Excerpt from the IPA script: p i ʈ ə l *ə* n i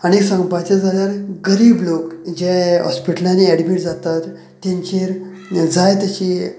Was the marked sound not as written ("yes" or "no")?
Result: yes